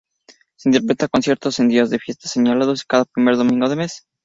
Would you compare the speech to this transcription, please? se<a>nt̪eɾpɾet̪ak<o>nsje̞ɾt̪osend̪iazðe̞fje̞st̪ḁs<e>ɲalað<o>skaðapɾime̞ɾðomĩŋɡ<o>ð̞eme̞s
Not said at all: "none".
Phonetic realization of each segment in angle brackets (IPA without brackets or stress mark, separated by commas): i, o, e, o, o